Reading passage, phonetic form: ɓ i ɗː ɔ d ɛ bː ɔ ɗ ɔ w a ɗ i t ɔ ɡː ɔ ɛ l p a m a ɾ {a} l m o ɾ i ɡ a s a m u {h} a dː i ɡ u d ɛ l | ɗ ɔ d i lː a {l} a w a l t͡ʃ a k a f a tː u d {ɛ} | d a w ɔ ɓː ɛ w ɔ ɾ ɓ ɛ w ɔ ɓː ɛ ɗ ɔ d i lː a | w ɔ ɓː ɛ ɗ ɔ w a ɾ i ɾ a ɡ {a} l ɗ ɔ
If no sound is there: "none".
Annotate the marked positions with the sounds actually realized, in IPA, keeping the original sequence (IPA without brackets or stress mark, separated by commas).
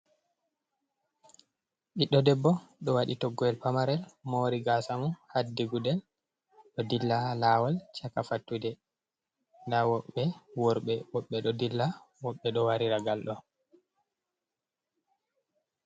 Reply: ɛ, h, l, ɛ, a